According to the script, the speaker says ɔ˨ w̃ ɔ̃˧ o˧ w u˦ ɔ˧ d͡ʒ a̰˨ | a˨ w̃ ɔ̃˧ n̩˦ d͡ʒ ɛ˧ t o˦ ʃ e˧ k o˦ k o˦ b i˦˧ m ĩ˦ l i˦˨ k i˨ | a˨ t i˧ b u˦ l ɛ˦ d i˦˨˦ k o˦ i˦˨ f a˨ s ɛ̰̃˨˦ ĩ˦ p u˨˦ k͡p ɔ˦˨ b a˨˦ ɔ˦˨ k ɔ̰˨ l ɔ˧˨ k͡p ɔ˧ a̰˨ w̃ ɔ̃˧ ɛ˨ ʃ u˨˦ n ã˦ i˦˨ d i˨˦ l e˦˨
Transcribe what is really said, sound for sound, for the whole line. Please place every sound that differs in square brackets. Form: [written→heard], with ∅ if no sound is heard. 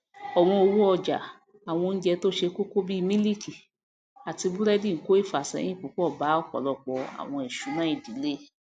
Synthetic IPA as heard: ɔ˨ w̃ ɔ̃˧ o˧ w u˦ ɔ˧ d͡ʒ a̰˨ | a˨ w̃ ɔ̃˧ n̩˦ d͡ʒ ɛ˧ t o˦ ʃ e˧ k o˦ k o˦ b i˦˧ m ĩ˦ l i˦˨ k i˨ | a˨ t i˧ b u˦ [l→ɾ] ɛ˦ d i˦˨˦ k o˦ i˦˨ f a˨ s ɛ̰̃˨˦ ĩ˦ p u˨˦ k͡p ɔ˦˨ b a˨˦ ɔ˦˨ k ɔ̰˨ l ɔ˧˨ k͡p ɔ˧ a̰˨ w̃ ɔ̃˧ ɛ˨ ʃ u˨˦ n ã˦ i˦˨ d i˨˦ l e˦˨